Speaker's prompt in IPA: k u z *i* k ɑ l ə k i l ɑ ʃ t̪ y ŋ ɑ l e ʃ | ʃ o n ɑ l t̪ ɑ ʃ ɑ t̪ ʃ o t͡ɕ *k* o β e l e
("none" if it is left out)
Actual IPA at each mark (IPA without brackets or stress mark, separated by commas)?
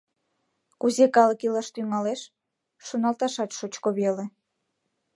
e, k